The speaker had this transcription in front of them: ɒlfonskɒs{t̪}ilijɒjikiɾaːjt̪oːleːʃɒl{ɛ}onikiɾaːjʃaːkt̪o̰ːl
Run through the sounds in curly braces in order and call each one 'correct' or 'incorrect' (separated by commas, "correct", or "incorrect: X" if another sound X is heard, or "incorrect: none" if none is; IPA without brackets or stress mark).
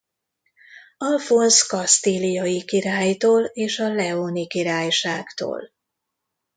correct, correct